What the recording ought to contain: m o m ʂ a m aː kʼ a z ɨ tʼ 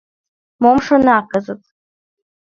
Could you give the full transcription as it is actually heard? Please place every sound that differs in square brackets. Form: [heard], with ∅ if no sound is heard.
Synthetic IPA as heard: m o m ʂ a [n] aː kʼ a z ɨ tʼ